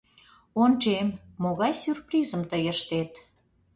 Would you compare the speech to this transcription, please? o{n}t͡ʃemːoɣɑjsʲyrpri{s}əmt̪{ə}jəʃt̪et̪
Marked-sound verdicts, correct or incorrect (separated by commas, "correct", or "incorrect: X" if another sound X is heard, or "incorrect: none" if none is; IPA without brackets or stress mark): correct, incorrect: z, correct